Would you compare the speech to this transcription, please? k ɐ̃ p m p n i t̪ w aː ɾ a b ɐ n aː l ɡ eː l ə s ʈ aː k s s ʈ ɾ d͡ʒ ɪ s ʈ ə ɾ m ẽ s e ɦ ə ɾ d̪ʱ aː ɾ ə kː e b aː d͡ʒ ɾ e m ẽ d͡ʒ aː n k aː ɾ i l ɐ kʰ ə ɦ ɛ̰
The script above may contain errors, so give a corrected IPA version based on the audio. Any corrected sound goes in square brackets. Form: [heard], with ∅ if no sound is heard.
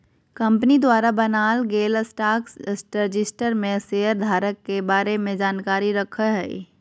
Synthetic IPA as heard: k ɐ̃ [∅] m p n i [d̪] w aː ɾ a b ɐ n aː l ɡ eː l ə s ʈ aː k s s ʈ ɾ d͡ʒ ɪ s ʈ ə ɾ m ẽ s e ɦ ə ɾ d̪ʱ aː ɾ ə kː e b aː [∅] ɾ e m ẽ d͡ʒ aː n k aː ɾ i [ɾ] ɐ kʰ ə ɦ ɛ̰